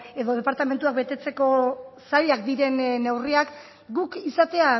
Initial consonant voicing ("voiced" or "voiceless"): voiced